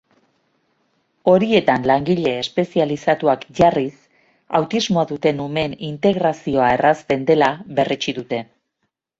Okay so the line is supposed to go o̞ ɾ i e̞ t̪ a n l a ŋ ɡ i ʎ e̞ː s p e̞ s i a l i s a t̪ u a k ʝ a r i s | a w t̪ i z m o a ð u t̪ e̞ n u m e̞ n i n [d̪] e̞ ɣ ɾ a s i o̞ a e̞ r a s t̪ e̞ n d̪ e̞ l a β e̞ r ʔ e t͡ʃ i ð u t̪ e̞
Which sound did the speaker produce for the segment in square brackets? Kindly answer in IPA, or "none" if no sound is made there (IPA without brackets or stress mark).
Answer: t̪